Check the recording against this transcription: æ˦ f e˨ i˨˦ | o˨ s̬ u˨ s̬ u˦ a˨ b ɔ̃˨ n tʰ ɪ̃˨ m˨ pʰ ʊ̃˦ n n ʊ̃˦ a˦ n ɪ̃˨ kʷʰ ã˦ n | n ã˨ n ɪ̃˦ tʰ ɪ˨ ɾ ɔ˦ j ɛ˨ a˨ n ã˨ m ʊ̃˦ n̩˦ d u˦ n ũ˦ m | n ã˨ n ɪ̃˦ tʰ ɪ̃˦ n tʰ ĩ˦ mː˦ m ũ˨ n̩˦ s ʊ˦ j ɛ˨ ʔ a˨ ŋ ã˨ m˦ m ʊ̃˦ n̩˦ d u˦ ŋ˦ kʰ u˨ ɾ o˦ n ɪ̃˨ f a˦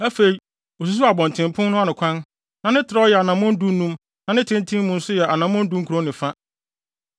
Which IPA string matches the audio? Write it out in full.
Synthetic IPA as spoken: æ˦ f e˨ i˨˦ | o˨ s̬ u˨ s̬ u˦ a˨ b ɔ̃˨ n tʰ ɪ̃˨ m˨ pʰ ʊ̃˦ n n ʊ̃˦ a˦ n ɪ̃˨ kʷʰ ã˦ n | n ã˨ n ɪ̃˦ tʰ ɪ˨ ɾ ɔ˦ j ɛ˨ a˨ n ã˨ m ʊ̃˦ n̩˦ d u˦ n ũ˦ m | n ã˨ n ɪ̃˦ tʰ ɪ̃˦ n tʰ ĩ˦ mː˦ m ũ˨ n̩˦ s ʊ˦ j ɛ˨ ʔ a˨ n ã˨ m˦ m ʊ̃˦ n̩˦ d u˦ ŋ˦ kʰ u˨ ɾ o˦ n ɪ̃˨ f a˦

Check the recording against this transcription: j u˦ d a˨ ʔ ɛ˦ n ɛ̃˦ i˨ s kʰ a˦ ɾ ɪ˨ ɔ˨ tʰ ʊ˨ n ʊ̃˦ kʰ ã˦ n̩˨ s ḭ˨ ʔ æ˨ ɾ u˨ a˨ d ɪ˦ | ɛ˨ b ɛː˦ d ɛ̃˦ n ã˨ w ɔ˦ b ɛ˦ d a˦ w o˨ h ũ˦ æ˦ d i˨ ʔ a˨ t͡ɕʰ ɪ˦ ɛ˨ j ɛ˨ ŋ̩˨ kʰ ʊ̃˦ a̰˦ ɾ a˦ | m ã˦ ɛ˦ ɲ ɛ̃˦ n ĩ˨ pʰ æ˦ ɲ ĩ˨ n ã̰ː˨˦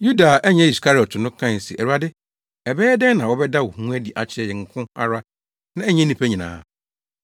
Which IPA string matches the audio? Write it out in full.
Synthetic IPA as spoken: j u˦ d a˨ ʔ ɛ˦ ɲ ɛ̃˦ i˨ s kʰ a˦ ɾ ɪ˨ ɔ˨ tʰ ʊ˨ n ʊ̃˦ kʰ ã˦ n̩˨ s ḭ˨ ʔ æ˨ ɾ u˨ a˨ d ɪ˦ | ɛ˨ b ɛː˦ d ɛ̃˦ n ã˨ w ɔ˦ b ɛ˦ d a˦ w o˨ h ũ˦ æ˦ d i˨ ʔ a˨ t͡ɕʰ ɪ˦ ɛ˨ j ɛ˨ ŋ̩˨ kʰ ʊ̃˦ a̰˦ ɾ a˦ | n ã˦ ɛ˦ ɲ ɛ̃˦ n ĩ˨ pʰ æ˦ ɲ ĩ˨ n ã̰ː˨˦

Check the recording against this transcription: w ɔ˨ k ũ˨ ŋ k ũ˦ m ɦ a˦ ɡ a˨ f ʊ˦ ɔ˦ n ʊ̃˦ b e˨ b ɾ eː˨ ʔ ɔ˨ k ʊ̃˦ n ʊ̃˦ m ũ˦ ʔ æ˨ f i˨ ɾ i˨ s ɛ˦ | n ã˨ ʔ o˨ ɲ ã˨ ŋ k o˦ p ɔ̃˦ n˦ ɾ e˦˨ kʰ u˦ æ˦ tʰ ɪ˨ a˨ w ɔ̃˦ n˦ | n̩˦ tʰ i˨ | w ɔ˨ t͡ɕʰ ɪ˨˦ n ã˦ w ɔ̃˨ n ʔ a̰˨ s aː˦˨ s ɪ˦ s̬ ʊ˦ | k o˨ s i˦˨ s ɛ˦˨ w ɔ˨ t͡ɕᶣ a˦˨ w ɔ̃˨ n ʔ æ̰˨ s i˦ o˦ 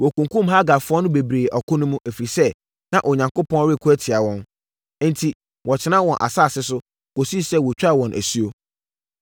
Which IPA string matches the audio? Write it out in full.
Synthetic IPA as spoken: w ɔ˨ k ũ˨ ŋ k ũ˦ m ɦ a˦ ɡ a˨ f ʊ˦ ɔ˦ n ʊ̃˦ b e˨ b ɾ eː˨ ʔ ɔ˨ k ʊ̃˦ n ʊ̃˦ m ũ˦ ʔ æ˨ f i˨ ɾ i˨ s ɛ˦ | n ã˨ ʔ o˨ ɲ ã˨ ŋ k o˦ p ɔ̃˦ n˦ ɾ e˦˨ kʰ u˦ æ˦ tʰ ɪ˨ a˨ w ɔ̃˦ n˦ | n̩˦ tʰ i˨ | w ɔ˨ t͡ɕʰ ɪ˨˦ n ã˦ w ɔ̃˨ n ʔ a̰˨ s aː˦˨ s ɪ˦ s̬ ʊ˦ | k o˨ s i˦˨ s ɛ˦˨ w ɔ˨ t͡ɕᶣ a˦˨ w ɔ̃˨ n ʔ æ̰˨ s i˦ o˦

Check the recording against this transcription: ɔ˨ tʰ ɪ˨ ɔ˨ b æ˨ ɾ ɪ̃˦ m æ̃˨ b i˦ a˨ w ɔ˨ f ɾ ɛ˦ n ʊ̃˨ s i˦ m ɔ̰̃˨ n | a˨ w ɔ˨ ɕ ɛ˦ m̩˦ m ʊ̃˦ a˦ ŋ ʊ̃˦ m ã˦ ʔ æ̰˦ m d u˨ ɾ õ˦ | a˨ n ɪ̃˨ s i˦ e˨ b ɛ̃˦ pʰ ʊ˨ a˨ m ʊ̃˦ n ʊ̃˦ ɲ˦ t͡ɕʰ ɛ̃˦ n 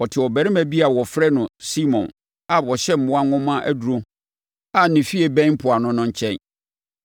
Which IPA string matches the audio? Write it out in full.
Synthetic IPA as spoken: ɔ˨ tʰ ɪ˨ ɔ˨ b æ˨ ɾ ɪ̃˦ m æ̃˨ b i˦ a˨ w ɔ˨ f ɾ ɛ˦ n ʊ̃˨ s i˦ m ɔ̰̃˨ n | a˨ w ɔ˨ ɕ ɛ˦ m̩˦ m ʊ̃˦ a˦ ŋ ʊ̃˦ m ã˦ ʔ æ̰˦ d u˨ ɾ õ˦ | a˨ n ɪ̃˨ f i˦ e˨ b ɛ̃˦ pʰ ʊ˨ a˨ n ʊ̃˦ n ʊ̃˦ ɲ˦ t͡ɕʰ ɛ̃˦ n

